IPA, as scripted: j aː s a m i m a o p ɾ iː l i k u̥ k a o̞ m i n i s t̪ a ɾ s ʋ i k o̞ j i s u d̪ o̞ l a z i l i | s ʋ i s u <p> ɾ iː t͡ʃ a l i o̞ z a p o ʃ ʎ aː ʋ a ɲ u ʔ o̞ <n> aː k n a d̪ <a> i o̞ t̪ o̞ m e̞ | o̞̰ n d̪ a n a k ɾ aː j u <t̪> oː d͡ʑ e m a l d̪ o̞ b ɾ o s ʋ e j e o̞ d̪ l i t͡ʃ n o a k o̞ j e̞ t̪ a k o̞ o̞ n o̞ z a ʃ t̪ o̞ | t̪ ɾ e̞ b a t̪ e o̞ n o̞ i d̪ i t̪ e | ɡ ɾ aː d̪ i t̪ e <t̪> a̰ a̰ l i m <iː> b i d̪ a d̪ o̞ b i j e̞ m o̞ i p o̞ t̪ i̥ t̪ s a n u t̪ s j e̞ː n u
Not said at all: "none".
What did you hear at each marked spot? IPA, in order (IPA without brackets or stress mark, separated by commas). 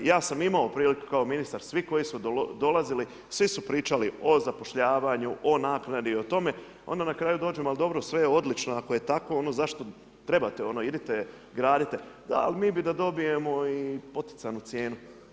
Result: p, n, i, d̪, d̪, iː